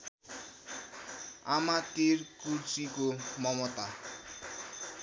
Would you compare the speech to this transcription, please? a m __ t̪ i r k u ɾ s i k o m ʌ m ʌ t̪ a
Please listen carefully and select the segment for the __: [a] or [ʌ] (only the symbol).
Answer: a